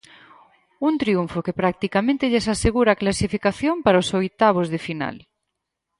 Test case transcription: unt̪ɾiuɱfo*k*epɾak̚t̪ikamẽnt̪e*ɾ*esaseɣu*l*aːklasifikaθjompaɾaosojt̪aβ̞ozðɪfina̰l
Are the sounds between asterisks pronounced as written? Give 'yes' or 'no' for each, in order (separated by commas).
yes, no, no